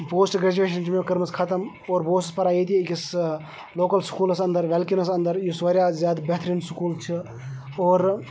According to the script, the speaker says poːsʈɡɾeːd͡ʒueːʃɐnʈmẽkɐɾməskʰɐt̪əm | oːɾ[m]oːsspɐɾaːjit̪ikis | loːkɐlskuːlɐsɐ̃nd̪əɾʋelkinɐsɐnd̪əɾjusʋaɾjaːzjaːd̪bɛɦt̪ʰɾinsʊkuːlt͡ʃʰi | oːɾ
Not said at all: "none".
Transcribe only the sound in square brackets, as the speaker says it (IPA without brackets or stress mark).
b